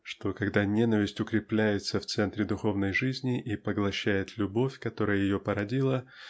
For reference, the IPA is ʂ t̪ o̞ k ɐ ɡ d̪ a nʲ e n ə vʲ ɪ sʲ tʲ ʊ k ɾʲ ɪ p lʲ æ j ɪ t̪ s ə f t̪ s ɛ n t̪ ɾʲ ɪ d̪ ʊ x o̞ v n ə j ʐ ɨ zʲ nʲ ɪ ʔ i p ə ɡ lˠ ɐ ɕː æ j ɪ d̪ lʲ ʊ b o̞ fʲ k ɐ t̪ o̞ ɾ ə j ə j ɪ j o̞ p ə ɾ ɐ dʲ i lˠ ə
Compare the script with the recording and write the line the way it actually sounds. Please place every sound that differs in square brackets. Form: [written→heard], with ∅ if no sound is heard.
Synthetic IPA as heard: ʂ t̪ o̞ k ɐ ɡ d̪ a nʲ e n ə vʲ ɪ sʲ tʲ ʊ k ɾʲ ɪ p lʲ æ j ɪ t̪ s ə f t̪ s ɛ n t̪ ɾʲ ɪ d̪ ʊ x o̞ v n ə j ʐ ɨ zʲ nʲ ɪ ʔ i p ə ɡ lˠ ɐ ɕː æ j ɪ [d̪→t̪] lʲ ʊ b o̞ fʲ k ɐ t̪ o̞ ɾ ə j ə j ɪ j o̞ p ə ɾ ɐ dʲ i lˠ ə